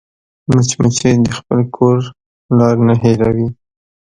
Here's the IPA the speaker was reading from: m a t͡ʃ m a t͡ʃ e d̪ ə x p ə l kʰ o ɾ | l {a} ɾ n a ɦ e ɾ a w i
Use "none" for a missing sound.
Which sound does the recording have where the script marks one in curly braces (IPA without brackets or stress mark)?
ɑ